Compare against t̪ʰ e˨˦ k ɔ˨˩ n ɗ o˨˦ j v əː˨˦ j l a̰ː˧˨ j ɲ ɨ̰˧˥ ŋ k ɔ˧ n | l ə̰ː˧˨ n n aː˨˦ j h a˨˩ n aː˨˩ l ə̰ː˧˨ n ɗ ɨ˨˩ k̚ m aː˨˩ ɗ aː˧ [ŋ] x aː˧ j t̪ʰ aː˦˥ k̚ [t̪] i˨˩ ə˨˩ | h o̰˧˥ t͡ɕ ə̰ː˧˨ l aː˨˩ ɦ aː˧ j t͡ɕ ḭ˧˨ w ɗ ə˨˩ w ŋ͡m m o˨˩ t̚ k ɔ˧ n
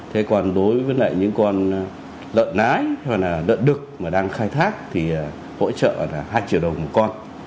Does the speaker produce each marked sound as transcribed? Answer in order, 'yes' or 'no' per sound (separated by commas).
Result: yes, no